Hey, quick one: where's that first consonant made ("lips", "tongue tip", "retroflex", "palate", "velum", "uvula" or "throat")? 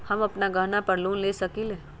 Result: throat